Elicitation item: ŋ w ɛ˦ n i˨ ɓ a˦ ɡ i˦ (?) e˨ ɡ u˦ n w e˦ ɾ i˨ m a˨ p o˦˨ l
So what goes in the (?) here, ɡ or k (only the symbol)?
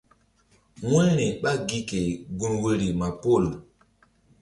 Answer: k